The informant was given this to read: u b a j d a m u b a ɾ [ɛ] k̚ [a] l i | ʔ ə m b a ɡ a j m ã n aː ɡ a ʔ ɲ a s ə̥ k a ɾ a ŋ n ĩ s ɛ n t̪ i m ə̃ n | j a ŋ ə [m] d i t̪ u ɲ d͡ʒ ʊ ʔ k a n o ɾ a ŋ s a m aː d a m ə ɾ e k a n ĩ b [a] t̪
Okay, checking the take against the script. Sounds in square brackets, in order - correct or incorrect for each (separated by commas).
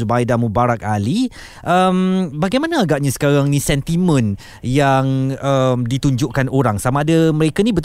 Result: incorrect, correct, correct, incorrect